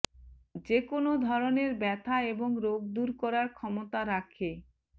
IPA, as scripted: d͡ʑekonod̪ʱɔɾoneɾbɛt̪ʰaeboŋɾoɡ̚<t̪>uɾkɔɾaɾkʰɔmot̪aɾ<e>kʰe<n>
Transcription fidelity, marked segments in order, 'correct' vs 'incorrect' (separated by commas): incorrect, incorrect, incorrect